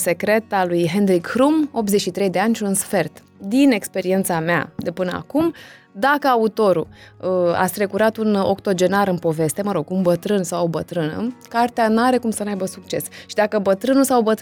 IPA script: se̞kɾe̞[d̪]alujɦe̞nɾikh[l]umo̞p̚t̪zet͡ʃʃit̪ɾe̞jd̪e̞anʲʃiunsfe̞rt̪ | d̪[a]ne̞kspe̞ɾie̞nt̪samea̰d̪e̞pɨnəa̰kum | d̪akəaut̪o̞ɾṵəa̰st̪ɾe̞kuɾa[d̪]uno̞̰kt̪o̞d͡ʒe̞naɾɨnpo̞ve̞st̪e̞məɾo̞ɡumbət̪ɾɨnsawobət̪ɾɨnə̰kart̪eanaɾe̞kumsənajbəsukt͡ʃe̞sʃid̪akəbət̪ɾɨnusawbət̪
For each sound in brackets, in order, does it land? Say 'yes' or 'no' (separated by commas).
no, no, no, no